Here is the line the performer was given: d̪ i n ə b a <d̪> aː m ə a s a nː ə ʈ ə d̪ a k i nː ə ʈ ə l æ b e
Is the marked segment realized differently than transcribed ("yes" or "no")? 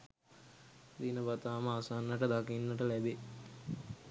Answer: yes